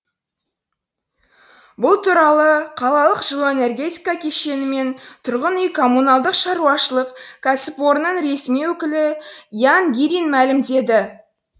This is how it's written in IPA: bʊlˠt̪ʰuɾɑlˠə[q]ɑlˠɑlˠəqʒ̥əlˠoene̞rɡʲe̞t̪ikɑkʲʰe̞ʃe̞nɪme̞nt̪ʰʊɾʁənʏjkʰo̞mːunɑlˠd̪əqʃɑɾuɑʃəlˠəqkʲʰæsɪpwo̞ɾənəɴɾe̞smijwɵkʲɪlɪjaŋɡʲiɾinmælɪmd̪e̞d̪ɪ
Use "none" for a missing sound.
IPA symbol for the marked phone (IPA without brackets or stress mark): qʰ